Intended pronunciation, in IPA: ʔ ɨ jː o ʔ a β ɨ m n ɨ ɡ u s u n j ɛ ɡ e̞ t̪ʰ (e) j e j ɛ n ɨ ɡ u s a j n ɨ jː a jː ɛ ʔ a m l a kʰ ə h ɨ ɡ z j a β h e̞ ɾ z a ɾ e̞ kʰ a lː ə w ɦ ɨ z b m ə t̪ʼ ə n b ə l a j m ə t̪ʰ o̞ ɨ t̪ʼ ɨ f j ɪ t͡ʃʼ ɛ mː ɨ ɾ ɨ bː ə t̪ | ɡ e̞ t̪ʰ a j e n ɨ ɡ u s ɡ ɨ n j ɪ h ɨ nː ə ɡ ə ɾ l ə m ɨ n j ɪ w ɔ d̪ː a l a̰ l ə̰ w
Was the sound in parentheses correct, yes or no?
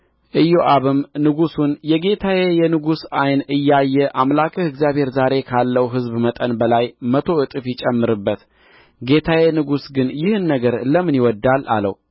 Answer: no